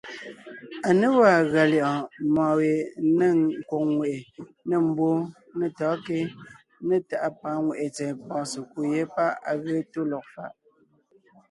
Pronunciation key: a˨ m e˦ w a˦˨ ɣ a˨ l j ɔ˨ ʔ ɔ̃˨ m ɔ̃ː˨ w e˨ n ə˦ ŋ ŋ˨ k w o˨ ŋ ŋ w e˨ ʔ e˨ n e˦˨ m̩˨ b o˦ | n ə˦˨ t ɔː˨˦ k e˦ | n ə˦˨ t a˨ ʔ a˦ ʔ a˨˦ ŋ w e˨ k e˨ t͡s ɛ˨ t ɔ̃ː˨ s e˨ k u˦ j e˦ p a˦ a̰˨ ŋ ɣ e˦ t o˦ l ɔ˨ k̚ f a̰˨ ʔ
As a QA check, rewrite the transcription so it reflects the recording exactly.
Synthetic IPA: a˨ n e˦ w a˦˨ ɣ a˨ l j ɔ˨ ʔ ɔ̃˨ m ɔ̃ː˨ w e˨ n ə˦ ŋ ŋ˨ k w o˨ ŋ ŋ w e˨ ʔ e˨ n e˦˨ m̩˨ b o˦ | n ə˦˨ t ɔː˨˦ k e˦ | n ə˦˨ t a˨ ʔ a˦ p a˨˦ ŋ w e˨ ʔ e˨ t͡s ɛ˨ p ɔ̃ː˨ s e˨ k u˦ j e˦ p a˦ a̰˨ ɣ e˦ t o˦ l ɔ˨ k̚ f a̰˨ ʔ